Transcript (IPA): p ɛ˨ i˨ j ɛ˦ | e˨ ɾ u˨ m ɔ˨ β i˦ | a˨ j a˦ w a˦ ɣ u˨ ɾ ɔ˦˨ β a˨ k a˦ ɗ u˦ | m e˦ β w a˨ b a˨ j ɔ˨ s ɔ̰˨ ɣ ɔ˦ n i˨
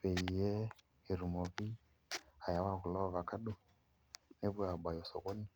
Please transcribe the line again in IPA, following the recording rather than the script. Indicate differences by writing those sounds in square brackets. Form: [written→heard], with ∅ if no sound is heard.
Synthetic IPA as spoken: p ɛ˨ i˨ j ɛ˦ | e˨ ɾ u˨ m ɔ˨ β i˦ | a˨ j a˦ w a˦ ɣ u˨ [ɾ→l] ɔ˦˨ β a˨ k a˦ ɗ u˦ | [m→n] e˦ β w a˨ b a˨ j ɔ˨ s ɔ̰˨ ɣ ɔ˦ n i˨